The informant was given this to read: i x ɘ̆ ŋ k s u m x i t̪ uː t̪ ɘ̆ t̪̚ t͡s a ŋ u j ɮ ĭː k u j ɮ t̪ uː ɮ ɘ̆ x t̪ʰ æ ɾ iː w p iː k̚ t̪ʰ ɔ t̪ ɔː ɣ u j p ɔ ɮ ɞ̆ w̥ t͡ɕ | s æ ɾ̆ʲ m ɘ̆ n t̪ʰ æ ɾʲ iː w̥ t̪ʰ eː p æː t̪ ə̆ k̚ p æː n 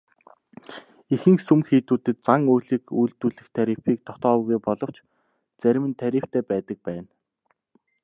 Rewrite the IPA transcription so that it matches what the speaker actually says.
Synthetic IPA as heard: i x ɘ̆ ŋ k s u m x iː t̪ uː t̪ ɘ̆ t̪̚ t͡s a ŋ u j ɮ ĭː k u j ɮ t̪ uː ɮ ɘ̆ x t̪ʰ æ ɾ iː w p iː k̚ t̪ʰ ɔ t̪ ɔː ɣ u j p ɔ ɮ ɞ̆ w̥ t͡ɕ | t͡s æ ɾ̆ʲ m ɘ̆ n t̪ʰ æ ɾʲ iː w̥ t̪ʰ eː p æː t̪ ə̆ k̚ p æː n